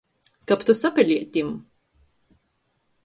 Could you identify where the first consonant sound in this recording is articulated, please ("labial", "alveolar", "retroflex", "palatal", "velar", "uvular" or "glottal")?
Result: velar